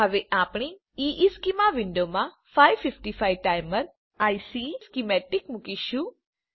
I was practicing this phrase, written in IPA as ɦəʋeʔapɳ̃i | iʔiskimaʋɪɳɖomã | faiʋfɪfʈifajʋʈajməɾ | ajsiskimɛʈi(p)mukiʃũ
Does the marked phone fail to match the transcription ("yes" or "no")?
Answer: yes